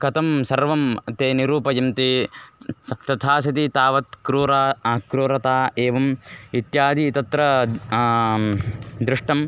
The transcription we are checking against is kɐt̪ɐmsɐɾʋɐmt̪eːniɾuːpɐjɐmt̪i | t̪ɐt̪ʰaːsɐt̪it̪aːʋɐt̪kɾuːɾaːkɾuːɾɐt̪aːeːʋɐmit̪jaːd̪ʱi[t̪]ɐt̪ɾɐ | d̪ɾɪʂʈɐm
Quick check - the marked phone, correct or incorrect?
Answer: correct